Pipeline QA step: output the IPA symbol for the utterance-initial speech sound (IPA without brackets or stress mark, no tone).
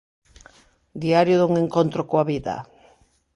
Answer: d̪